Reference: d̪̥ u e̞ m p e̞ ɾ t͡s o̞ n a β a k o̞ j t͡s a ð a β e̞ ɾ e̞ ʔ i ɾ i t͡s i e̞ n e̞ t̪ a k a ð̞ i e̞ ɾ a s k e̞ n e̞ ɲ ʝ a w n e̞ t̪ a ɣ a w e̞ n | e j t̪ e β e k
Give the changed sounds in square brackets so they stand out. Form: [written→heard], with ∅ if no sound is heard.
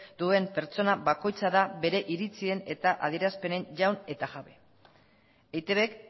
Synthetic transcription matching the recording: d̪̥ u e̞ m p e̞ ɾ t͡s o̞ n a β a k o̞ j t͡s a ð a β e̞ ɾ e̞ ʔ i ɾ i t͡s i e̞ n e̞ t̪ a [k→ʔ] a ð̞ i e̞ ɾ a s [k→p] e̞ n e̞ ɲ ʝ a w n e̞ t̪ a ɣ a [w→β] e̞ [n→∅] | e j t̪ e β e k